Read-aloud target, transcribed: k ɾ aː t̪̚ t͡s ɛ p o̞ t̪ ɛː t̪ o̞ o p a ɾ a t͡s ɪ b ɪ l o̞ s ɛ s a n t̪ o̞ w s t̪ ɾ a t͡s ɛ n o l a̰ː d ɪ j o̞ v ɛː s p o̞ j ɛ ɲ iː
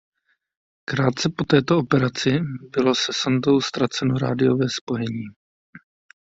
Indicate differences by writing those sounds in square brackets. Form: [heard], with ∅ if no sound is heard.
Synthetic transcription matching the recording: k ɾ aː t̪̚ t͡s ɛ p o̞ t̪ ɛː t̪ o̞ o p [ɛ] ɾ a t͡s ɪ b ɪ l o̞ s ɛ s a n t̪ o̞ w s t̪ ɾ a t͡s ɛ n o [ɾ] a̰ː d ɪ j o̞ v ɛː s p o̞ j ɛ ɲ iː